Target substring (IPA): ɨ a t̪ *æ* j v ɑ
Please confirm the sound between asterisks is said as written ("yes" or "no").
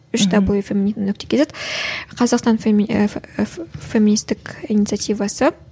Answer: no